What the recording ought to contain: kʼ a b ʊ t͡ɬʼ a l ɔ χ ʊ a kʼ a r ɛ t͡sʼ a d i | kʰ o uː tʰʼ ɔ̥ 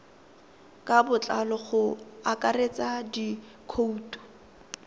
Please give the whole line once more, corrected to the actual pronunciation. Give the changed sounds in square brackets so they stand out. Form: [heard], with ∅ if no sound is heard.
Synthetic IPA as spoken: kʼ a b ʊ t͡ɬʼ a l ɔ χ ʊ a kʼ a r [e] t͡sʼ a d i | kʰ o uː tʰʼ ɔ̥